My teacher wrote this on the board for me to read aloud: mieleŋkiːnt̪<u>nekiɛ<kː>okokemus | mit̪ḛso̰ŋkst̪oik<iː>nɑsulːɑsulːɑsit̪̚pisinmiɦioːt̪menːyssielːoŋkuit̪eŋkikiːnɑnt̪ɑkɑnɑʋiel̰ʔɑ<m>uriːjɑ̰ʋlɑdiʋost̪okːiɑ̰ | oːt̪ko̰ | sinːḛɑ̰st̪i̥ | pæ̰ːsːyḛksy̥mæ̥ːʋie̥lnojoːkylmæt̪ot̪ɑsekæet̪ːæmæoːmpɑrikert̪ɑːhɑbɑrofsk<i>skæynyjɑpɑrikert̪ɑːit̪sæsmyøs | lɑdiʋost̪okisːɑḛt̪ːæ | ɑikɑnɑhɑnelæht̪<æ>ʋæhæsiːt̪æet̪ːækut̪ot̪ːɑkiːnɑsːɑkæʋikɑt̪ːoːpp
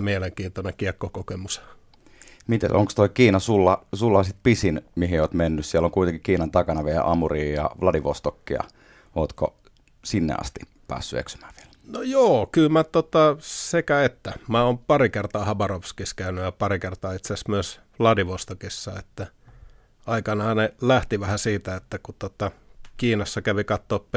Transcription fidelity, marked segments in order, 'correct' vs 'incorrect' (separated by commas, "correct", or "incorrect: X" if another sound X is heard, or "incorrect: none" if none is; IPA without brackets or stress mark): incorrect: o, correct, correct, correct, correct, incorrect: i